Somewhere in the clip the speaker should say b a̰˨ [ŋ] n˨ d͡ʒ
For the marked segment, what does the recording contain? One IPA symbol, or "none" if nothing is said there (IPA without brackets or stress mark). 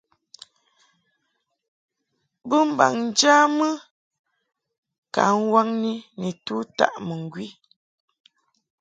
ŋ